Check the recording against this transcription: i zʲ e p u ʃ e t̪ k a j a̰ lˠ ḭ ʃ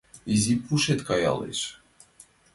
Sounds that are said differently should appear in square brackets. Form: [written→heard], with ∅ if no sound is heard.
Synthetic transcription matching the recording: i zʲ [e→i] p u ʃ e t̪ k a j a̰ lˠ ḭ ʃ